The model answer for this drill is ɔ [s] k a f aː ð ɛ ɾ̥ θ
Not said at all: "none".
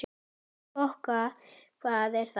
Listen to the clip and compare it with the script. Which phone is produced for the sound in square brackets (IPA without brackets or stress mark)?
h